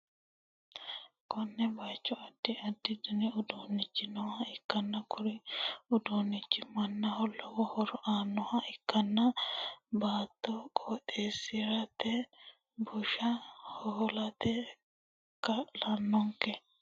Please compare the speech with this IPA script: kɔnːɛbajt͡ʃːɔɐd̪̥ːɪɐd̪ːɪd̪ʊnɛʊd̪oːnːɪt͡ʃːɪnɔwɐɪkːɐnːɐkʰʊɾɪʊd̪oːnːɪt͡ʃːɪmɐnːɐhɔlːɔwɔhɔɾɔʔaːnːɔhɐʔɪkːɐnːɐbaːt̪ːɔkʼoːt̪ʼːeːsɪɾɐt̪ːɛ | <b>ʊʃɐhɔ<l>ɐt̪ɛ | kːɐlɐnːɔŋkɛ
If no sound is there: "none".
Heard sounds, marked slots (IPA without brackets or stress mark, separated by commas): b, l